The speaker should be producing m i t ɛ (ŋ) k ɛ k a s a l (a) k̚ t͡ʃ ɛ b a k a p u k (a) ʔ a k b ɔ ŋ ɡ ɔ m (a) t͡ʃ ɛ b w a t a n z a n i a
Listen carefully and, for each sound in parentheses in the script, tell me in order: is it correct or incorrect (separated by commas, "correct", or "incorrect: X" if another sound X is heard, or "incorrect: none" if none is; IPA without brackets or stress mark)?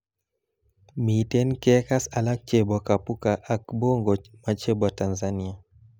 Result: incorrect: n, correct, correct, correct